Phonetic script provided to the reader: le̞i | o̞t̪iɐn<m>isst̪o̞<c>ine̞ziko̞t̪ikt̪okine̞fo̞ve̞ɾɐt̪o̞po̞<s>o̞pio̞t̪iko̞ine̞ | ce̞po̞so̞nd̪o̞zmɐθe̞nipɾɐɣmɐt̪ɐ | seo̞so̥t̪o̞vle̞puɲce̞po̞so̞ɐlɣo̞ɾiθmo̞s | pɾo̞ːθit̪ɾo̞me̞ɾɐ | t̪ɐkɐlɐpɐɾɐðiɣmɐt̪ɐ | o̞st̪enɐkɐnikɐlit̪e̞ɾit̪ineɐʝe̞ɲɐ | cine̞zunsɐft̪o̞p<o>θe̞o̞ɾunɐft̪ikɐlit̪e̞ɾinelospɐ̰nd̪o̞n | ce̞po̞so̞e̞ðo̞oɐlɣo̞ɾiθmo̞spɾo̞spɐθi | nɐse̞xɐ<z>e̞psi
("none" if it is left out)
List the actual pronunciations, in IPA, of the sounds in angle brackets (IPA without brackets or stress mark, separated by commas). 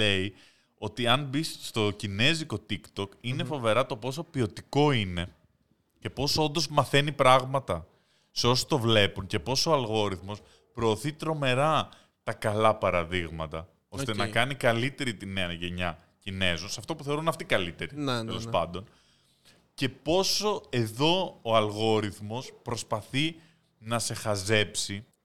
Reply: b, c, s, u, z